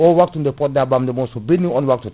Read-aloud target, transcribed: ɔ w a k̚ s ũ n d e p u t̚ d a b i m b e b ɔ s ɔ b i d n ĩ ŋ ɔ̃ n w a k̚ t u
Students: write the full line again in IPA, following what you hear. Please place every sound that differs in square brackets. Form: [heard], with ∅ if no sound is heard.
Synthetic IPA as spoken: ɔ w a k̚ [t] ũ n d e p [ɔ] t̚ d a b [a] m [d] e [m] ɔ s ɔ b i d n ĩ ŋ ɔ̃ n w a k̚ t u

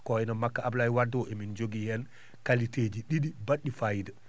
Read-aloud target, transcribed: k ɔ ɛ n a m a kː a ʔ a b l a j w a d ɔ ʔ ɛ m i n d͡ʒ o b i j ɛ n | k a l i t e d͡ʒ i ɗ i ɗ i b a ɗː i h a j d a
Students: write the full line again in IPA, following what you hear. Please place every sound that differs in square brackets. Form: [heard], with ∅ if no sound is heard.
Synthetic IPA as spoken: k ɔ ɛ n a m a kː a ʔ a b l a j w a d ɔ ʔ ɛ m i n d͡ʒ o [ɡ] i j ɛ n | k a l i t e d͡ʒ i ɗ i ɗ i b a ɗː i [f] a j d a

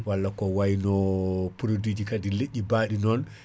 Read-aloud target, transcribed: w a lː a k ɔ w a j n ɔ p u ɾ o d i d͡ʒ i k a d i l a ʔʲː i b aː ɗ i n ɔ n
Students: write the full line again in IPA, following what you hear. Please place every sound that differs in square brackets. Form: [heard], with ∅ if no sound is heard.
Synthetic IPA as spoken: w a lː a k ɔ w a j n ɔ p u ɾ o d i d͡ʒ i k a d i l [e] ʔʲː i b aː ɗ i n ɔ n

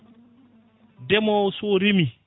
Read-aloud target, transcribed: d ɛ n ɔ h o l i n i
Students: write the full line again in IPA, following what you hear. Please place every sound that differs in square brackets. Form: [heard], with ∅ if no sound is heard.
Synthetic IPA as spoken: d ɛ [m] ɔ [s] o [ɾ] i [m] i

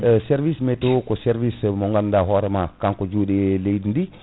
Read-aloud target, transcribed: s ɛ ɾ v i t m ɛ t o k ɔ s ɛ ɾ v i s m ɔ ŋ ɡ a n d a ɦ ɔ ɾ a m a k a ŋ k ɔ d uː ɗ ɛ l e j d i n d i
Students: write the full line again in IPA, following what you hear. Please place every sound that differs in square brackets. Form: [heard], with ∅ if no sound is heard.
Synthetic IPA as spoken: s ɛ ɾ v i [s] m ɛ t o k ɔ s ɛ ɾ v i s m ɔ ŋ ɡ a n d a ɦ ɔ ɾ [ɛ] m a k a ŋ k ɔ [d͡ʒ] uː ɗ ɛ l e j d i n d i

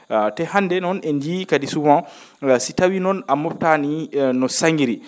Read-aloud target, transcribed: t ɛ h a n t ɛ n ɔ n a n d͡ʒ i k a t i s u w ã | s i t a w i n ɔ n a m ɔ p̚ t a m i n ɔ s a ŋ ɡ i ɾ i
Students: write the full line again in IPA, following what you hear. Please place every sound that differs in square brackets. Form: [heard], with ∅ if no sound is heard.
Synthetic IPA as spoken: t ɛ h a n [d] ɛ n ɔ n [ɛ] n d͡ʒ i k a [d] i s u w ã | s i t a w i n ɔ n a m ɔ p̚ t a [n] i n ɔ s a ŋ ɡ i ɾ i

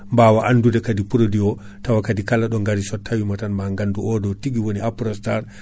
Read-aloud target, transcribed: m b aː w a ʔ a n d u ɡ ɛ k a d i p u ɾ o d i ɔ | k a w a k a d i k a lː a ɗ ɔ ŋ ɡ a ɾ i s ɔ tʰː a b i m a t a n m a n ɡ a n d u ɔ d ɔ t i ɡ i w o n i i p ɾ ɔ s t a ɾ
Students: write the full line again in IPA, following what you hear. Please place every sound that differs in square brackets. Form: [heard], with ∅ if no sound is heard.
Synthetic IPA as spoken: m b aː w a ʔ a n d u [d] ɛ k a d i p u ɾ o d i ɔ | [t] a w a k a d i k a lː a ɗ ɔ ŋ ɡ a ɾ i s ɔ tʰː a [w] i m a t a n m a [ŋ] ɡ a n d u ɔ d ɔ t i ɡ i w o n i [a] p ɾ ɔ s t a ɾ

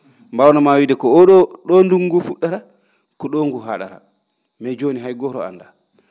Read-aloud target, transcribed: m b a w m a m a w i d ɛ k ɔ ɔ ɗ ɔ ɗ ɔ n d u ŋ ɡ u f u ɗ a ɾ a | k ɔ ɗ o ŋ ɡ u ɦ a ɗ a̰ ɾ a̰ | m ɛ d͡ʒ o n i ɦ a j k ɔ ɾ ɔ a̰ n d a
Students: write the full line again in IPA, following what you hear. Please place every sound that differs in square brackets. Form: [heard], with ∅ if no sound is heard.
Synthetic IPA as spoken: m b a w [n] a m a w i d ɛ k ɔ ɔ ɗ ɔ ɗ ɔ n d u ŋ ɡ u f u ɗ a ɾ a | k ɔ ɗ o ŋ ɡ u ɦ a ɗ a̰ ɾ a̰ | m ɛ d͡ʒ o n i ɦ a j [ɡ] ɔ ɾ ɔ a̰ n d a

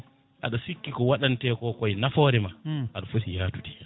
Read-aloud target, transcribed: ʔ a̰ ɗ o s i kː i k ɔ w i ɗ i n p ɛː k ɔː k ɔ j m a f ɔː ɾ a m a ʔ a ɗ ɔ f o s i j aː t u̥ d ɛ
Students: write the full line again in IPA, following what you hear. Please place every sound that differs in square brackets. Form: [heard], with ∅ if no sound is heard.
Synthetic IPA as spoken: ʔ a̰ ɗ [ɔ] s i kː i k ɔ w [a] ɗ [a] n [t] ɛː k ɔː k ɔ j [n] a f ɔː ɾ [ɛ] m a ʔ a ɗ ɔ f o s i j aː t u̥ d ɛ

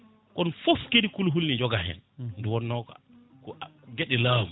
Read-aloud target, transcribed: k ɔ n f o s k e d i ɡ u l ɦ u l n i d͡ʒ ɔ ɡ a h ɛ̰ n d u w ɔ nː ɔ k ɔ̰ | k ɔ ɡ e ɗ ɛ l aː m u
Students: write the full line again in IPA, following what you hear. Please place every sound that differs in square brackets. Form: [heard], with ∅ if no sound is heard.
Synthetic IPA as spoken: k ɔ n f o [f] k e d i [k] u l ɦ u l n i d͡ʒ ɔ ɡ a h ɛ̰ n d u w ɔ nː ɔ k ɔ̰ | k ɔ ɡ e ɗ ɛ l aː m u

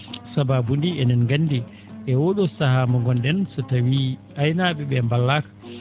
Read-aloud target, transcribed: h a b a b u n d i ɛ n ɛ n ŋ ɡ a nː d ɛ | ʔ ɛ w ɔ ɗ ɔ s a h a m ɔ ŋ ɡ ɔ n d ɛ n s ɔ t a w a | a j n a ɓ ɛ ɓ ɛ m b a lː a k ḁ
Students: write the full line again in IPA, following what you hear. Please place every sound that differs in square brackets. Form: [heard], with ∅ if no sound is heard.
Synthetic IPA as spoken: [s] a b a b u n d i ɛ n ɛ n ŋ ɡ a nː d [i] | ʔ ɛ w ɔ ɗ ɔ s a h a m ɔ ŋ ɡ ɔ n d ɛ n s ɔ t a w [i] | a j n a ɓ ɛ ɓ ɛ m b a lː a k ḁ

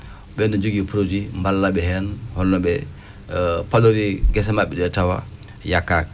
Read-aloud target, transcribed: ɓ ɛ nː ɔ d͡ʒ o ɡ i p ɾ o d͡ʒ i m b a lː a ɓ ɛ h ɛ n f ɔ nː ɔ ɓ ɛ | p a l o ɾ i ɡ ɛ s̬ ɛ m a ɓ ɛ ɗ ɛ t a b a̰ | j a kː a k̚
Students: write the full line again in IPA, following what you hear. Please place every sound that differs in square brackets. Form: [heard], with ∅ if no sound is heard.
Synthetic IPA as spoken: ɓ ɛ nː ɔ d͡ʒ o ɡ i p ɾ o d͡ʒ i m b a lː a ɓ ɛ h ɛ n [h] ɔ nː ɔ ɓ ɛ | p a l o ɾ i ɡ ɛ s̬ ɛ m a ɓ ɛ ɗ ɛ t a [w] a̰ | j a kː a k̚

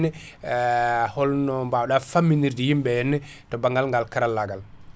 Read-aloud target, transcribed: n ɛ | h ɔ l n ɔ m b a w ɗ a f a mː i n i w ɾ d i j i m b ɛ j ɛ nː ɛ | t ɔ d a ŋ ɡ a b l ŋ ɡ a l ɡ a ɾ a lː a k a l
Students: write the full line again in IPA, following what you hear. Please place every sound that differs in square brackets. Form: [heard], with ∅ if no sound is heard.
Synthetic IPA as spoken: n ɛ | h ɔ l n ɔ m b a w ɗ a f a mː i n i [∅] ɾ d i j i m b ɛ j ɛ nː ɛ | t ɔ [b] a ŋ ɡ a [∅] l ŋ ɡ a l [k] a ɾ a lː a [ɡ] a l

